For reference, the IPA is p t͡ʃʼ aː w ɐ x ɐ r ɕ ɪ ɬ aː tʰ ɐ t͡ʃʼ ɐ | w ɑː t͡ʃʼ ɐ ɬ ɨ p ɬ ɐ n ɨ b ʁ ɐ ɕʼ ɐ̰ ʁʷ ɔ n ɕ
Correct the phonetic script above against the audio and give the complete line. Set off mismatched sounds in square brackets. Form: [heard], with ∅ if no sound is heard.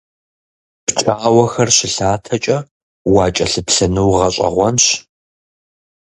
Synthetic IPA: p t͡ʃʼ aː w ɐ x ɐ r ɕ ɪ ɬ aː tʰ ɐ t͡ʃʼ ɐ | w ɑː t͡ʃʼ ɐ ɬ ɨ p ɬ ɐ n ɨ [w] ʁ ɐ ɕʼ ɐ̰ ʁʷ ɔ n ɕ